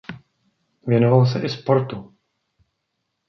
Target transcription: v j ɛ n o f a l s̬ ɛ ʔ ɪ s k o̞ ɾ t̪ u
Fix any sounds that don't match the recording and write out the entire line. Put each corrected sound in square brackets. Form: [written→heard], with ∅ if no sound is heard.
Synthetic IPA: v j ɛ n o [f→v] a l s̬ ɛ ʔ ɪ s [k→p] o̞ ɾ t̪ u